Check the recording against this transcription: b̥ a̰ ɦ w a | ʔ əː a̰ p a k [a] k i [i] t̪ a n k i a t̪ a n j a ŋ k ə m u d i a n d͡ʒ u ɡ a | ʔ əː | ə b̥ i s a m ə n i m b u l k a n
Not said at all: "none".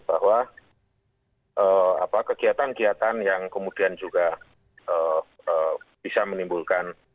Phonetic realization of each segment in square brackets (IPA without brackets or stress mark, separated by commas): ə, a